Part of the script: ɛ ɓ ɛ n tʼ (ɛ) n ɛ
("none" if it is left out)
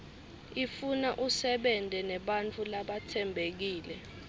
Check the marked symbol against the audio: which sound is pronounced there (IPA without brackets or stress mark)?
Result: ɛ